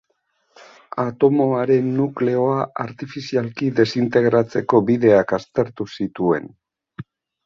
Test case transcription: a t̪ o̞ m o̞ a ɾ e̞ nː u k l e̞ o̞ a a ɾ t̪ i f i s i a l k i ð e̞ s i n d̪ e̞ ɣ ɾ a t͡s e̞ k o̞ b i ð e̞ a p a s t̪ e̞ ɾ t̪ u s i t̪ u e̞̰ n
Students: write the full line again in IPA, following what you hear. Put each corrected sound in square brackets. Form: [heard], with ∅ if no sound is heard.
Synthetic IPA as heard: a t̪ o̞ m o̞ a ɾ e̞ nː u k l e̞ o̞ a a ɾ t̪ i f i s i a l k i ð e̞ s i n [t̪] e̞ ɣ ɾ a t͡s e̞ k o̞ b i ð e̞ a [k] a s t̪ e̞ ɾ t̪ u s i t̪ u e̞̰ n